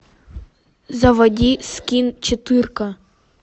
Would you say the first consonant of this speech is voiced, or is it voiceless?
voiced